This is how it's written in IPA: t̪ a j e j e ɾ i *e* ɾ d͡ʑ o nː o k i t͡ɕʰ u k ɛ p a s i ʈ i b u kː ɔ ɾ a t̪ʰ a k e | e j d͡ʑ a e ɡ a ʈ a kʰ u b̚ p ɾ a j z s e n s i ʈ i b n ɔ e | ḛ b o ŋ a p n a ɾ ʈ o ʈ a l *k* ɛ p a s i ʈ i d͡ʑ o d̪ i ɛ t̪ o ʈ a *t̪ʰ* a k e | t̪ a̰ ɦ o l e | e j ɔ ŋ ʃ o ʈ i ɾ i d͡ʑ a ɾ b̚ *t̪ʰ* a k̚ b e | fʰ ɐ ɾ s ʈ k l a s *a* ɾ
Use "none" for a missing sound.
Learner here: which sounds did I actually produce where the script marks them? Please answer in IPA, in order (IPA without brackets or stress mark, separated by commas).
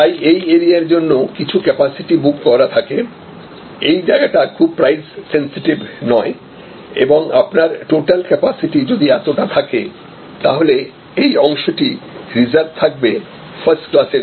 a, k, t̪ʰ, t̪ʰ, e